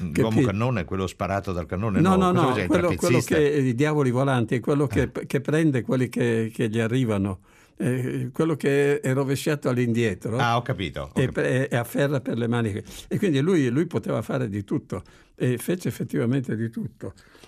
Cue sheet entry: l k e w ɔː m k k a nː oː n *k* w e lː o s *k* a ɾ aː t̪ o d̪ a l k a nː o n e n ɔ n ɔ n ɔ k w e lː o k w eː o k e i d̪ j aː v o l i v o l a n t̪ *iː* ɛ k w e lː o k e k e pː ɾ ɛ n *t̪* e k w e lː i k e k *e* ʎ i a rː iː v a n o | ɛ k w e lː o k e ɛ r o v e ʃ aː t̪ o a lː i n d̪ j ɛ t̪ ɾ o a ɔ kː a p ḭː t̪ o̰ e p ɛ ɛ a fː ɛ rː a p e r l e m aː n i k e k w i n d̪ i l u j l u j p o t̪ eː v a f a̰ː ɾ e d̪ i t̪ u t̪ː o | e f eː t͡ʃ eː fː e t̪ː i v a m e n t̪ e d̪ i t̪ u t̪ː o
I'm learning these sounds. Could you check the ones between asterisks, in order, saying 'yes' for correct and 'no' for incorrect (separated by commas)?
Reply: yes, no, no, no, yes